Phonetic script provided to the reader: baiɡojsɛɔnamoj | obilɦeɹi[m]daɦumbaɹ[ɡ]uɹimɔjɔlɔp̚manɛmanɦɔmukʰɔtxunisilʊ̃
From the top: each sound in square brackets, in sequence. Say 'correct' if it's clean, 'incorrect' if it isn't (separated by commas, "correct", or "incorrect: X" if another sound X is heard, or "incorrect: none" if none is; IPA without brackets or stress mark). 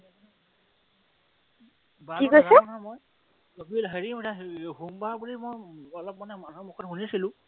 correct, incorrect: b